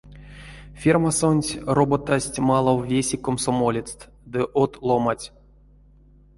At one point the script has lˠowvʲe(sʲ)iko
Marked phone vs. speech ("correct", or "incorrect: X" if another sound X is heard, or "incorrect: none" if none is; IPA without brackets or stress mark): correct